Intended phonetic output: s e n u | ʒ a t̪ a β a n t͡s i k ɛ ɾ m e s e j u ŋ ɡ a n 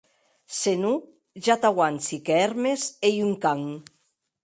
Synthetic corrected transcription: s e n u | ʒ a t̪ a w a n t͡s i k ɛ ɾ m e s e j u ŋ k a ŋ